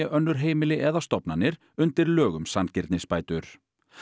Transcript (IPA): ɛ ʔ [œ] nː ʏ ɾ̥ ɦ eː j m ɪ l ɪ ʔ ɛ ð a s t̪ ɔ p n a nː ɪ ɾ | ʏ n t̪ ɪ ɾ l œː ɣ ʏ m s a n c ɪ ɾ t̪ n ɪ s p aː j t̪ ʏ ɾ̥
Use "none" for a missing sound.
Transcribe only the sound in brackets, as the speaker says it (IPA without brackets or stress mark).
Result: œ